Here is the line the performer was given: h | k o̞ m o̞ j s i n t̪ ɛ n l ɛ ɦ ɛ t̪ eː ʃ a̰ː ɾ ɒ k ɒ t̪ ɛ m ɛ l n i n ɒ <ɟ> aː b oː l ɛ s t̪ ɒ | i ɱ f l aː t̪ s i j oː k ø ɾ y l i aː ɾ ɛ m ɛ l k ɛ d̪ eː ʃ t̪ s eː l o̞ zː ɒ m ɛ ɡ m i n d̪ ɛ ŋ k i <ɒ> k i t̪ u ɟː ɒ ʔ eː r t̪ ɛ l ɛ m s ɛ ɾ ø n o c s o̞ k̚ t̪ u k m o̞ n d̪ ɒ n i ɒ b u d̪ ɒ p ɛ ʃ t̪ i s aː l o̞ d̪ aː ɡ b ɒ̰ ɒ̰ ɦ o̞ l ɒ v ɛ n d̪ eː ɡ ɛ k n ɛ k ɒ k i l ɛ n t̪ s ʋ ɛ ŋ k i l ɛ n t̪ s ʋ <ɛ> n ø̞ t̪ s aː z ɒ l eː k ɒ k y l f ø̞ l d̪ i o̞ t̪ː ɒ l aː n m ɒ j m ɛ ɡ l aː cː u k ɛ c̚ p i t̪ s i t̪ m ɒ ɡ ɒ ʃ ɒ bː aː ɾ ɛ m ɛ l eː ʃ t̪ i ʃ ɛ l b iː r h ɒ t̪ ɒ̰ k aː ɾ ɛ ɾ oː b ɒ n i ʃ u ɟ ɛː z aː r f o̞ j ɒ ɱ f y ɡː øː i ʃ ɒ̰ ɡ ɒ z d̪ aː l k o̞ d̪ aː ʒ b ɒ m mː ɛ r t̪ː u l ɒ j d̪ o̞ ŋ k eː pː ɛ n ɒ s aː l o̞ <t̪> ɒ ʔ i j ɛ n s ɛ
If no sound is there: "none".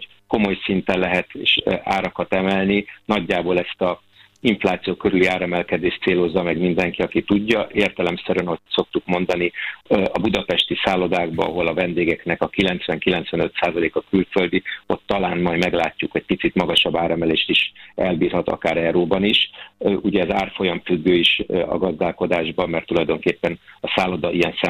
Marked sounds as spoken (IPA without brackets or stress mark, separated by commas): ɟː, ɒ, ɛ, d̪